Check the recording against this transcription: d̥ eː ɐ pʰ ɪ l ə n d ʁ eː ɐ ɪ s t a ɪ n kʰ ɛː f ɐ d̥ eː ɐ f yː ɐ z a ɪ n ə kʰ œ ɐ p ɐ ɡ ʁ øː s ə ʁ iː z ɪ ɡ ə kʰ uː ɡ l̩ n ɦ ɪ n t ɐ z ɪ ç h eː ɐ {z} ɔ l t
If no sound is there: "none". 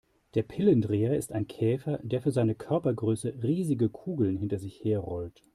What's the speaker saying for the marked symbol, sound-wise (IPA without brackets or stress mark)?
ʁ